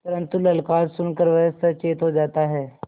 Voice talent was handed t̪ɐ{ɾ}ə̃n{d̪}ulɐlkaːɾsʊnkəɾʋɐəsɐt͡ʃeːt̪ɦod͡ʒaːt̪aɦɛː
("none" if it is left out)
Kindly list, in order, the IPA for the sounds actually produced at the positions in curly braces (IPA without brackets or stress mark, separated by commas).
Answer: ɾ, t̪